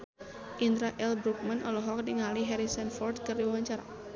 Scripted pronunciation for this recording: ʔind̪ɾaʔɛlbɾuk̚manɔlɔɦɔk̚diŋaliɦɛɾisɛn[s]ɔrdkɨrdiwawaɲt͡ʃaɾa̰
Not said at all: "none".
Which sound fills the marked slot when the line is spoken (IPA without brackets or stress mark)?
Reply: f